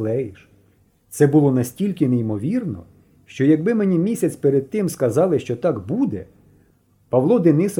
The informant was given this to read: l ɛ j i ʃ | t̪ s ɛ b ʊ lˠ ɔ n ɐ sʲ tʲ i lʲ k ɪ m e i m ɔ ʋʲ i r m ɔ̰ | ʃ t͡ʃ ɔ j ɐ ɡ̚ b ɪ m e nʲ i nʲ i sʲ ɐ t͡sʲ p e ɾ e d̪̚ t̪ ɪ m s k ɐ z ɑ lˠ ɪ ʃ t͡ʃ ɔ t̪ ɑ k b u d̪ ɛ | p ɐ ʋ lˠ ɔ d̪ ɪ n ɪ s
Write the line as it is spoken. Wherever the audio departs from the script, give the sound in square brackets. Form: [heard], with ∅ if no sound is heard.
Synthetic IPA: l ɛ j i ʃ | t̪ s ɛ b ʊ lˠ ɔ n ɐ sʲ tʲ i lʲ k ɪ [n] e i m ɔ ʋʲ i r [n] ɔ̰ | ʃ t͡ʃ ɔ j ɐ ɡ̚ b ɪ m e nʲ i [mʲ] i sʲ ɐ t͡sʲ p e ɾ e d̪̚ t̪ ɪ m s k ɐ z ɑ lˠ ɪ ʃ t͡ʃ ɔ t̪ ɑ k b u d̪ ɛ | p ɐ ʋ lˠ ɔ d̪ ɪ n ɪ s